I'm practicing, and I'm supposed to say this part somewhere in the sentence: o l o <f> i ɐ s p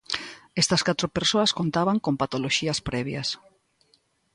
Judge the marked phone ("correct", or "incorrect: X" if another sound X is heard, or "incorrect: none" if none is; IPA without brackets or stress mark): incorrect: ʃ